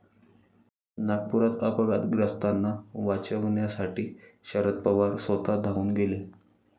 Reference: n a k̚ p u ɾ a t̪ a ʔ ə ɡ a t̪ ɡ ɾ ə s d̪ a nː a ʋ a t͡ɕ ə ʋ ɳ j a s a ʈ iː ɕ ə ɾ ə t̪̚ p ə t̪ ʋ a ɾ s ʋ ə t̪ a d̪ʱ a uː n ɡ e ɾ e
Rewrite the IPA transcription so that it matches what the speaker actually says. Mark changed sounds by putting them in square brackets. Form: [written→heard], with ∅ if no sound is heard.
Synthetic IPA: n a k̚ p u ɾ a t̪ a [ʔ→p] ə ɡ a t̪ ɡ ɾ ə s [d̪→t̪] a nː a ʋ a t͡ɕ ə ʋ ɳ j a s a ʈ iː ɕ ə ɾ ə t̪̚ p ə [t̪→∅] ʋ a ɾ s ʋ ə t̪ a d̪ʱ a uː n ɡ e [ɾ→l] e

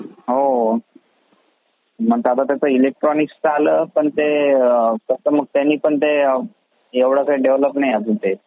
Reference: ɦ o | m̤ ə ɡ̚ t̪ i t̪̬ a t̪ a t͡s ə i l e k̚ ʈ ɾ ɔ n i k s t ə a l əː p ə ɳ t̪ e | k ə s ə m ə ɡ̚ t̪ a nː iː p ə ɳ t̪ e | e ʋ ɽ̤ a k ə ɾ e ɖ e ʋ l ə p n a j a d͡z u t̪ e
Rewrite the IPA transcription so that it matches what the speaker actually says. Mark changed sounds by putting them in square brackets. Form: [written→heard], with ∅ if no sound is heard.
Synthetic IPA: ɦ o | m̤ ə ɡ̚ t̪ [i→a] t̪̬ a t̪ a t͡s ə i l e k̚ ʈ ɾ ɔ n i k s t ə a l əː p ə ɳ t̪ e | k ə s ə m ə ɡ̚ t̪ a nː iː p ə ɳ t̪ e | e ʋ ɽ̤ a k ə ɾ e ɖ e ʋ l ə p n a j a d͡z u t̪ e

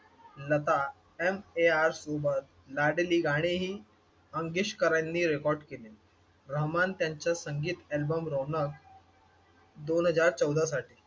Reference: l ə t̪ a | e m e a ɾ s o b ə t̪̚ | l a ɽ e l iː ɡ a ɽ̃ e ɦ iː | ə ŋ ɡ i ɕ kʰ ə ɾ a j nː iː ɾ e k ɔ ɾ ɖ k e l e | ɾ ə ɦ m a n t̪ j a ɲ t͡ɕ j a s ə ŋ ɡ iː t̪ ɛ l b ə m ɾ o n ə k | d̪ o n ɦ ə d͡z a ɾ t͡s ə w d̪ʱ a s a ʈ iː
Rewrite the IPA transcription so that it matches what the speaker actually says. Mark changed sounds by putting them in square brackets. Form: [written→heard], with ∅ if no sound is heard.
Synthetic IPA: l ə t̪ a | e m e a ɾ s o b ə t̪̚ | l a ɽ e l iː ɡ a ɽ̃ e ɦ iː | ə ŋ ɡ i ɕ [kʰ→k] ə ɾ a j nː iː ɾ e k ɔ ɾ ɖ k e l e | ɾ ə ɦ m a n t̪ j a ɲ t͡ɕ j a s ə ŋ ɡ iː t̪ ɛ l b ə m ɾ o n ə k | d̪ o n ɦ ə d͡z a ɾ t͡s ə w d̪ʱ a s a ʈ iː

